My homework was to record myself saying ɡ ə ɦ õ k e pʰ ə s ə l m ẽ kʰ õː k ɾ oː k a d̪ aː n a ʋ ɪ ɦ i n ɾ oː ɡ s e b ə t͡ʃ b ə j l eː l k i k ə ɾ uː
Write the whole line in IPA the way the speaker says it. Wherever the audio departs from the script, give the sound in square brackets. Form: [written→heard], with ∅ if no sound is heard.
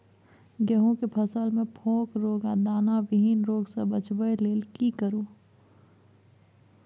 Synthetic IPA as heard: ɡ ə ɦ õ k e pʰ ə s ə l m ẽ [kʰ→pʰ] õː k ɾ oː [k→ɡ] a d̪ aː n a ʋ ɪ ɦ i n ɾ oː ɡ s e b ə t͡ʃ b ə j l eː l k i k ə ɾ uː